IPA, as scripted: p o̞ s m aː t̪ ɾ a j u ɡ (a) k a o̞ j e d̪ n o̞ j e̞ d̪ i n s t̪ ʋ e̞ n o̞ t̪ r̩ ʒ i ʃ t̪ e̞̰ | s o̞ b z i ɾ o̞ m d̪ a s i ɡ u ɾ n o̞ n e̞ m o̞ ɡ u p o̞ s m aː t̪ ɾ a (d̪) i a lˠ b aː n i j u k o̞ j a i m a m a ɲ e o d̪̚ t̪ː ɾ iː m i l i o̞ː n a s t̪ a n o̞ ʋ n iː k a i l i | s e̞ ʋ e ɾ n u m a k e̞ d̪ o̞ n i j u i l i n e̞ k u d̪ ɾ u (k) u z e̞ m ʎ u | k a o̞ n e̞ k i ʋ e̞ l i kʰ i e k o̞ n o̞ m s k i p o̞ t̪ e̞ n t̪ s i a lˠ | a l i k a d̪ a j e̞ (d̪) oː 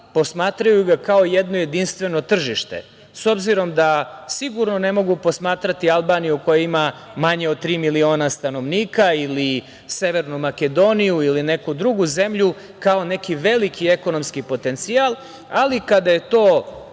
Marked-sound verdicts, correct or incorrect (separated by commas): correct, incorrect, incorrect, incorrect